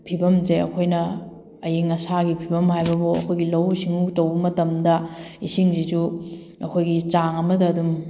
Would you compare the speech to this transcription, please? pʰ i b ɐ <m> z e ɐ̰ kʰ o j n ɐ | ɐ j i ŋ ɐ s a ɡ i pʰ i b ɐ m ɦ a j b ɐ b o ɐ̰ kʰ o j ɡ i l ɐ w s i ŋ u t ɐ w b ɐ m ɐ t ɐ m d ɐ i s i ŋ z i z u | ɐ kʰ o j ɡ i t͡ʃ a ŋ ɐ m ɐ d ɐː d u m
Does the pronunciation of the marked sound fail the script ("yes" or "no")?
no